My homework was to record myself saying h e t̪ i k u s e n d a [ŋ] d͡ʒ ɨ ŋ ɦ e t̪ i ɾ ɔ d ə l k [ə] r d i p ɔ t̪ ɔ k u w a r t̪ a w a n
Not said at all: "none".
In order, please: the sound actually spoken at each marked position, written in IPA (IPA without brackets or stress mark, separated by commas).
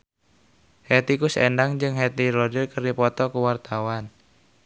ŋ, ə